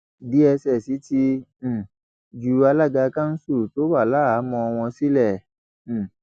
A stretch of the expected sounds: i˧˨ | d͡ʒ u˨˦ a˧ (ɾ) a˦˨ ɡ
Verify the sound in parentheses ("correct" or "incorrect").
incorrect